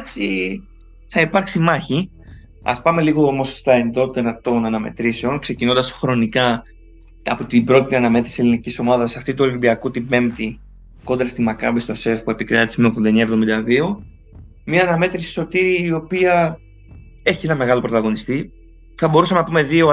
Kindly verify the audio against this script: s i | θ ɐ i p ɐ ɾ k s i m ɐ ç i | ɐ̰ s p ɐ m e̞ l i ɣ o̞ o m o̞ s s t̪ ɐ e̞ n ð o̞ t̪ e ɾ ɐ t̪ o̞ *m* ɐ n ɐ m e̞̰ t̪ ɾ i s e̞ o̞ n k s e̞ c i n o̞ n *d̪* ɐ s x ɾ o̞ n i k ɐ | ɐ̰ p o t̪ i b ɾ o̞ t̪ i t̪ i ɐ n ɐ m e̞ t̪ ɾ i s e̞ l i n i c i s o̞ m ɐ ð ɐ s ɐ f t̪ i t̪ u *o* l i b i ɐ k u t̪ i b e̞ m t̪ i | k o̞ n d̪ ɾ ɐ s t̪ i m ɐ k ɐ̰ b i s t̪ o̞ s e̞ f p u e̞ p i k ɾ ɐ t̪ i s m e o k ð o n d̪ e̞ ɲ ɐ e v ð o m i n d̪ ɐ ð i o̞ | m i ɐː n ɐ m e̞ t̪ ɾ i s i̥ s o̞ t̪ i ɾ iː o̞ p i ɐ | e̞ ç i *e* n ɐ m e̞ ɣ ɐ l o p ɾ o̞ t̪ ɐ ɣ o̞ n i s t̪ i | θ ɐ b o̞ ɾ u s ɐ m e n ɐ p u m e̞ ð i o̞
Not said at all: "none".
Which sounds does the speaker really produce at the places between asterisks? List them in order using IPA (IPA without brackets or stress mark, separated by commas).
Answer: n, d̪, o, e